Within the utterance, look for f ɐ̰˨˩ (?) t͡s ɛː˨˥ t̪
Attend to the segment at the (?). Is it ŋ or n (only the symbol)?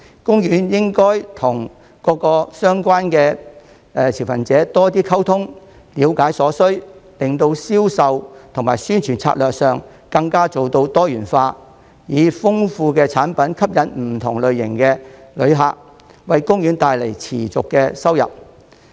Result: n